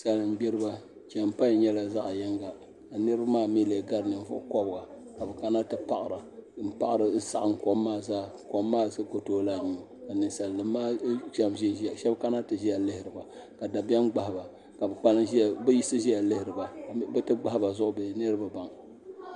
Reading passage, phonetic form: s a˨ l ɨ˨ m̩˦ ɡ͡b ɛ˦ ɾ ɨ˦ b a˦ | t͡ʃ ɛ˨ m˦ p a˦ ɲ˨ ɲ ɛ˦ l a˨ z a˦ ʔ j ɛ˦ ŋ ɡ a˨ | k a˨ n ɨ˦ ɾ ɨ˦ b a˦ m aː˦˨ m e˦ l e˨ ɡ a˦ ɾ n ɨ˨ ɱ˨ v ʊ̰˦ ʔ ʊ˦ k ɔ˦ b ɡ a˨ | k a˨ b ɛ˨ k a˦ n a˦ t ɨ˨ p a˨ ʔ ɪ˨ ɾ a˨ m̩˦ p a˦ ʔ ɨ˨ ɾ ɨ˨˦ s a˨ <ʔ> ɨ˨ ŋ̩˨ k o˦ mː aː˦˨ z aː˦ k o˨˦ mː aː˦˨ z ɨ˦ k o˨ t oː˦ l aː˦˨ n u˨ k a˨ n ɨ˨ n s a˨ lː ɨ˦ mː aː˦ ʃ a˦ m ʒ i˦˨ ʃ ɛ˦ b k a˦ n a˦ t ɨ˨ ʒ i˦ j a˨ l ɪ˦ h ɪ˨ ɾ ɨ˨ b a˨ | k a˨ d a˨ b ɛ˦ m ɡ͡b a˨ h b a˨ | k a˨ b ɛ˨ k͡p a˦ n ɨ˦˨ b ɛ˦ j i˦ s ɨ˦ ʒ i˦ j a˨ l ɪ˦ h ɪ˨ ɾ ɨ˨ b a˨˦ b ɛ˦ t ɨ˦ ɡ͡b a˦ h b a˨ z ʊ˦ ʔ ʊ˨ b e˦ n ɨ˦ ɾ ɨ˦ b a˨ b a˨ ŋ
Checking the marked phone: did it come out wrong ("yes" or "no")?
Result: no